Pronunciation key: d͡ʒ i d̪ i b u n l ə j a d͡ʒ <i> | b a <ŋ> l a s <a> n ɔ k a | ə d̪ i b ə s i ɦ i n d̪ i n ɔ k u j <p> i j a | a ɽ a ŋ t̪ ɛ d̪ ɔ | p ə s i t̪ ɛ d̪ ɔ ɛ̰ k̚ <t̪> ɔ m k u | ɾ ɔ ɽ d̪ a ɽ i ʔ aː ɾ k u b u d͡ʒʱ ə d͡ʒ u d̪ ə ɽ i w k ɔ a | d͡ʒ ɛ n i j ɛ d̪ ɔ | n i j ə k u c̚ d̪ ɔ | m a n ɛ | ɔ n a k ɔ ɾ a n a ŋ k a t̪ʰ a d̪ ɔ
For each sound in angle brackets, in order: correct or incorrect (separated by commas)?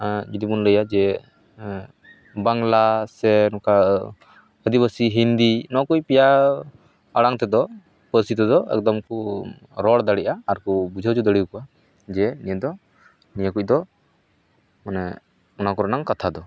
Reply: incorrect, correct, incorrect, correct, incorrect